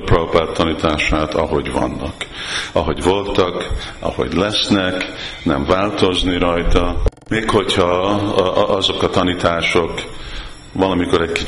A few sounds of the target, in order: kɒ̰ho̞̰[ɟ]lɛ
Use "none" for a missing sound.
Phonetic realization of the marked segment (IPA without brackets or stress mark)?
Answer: ɟ